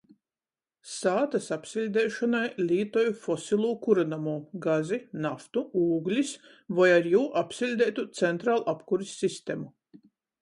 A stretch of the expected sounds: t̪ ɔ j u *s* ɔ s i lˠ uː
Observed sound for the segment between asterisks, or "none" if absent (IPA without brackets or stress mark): f